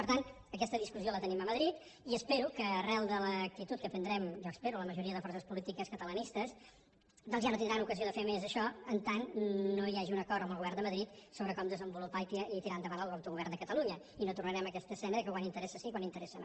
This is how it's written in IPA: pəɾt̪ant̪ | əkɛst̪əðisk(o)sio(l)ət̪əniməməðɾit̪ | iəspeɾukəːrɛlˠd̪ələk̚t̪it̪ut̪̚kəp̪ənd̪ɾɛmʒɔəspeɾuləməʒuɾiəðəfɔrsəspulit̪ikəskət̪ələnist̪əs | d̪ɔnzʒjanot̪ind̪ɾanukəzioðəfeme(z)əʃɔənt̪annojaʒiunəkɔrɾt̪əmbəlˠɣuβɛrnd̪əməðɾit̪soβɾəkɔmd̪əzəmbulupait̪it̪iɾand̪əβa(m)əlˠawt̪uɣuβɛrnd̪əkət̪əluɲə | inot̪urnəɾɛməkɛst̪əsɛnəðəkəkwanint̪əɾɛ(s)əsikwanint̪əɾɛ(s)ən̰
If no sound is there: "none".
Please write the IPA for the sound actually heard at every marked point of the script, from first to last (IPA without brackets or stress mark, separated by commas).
u, l, z, n, s, s